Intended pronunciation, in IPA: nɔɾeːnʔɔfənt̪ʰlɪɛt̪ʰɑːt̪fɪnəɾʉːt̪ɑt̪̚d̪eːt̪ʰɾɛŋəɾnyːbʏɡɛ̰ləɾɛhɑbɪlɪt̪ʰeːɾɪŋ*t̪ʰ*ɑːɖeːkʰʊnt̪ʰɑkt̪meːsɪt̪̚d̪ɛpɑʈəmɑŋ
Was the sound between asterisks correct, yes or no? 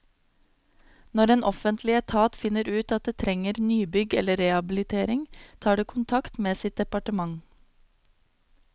yes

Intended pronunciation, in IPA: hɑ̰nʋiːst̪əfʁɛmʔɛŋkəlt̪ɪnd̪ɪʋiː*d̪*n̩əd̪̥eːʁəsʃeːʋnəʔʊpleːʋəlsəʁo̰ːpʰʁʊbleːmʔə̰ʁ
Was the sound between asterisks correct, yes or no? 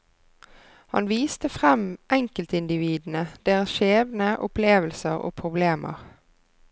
yes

